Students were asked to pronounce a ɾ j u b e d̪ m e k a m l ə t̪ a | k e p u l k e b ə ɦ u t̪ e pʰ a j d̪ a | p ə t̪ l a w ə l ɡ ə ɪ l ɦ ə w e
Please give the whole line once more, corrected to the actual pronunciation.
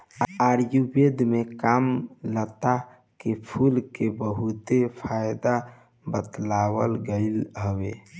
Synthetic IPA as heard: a ɾ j u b e d̪ m e k a m l ə t̪ a | k e pʰ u l k e b ə ɦ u t̪ e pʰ a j d̪ a | b ə t̪ l a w ə l ɡ ə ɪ l ɦ ə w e